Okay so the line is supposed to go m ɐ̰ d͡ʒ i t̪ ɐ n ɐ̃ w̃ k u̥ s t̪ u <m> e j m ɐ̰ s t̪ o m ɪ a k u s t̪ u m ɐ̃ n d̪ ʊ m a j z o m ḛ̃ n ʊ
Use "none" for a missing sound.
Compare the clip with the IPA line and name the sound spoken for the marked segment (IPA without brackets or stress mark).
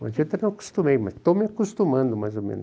m